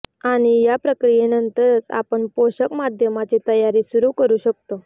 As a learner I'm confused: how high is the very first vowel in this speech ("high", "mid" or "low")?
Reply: low